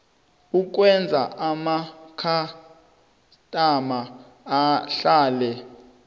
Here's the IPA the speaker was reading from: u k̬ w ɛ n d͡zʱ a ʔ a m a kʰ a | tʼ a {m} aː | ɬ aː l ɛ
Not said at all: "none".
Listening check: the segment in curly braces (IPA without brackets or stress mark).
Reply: m